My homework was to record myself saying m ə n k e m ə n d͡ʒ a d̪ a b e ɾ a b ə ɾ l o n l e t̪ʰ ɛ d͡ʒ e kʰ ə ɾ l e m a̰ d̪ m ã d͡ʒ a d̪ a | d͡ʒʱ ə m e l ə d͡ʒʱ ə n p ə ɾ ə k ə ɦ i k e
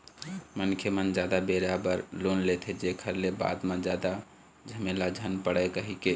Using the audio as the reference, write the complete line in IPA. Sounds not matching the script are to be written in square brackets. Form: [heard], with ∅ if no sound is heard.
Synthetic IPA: m ə n [kʰ] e m ə n d͡ʒ a d̪ a b e ɾ a b ə ɾ l o n l e t̪ʰ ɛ d͡ʒ e kʰ ə ɾ l e [b] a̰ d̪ m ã d͡ʒ a d̪ a | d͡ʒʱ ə m e l [a] d͡ʒʱ ə n p ə [ɽ] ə k ə ɦ i k e